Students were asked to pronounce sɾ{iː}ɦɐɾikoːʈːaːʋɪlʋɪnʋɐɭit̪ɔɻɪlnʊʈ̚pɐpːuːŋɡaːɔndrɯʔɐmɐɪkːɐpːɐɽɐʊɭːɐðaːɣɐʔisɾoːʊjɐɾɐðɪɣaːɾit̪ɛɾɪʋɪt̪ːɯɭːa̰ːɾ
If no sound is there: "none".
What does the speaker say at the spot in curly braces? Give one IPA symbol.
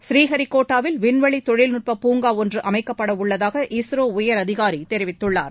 iː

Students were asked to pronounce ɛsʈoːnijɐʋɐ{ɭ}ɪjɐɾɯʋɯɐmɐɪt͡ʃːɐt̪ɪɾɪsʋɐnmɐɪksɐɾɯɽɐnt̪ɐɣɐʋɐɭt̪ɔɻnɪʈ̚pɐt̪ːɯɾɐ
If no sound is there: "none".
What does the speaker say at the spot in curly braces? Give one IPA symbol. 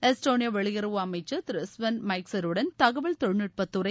ɭ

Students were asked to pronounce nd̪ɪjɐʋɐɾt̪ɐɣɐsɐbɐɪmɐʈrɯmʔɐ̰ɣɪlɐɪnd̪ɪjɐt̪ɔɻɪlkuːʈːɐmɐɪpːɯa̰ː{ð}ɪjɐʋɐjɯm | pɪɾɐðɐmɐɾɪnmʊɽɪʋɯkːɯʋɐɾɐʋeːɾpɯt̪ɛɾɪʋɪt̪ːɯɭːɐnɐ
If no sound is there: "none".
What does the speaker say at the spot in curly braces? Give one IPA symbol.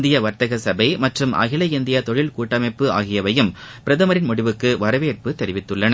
ɣ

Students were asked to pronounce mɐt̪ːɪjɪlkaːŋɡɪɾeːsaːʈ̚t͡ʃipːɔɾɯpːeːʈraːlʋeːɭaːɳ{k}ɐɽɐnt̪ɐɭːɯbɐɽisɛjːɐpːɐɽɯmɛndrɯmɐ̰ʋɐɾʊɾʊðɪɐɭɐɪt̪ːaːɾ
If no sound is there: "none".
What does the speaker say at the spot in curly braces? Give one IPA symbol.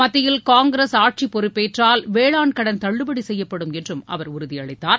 k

